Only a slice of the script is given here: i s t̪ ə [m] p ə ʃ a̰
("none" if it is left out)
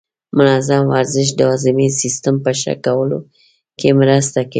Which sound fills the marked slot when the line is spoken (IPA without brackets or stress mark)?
m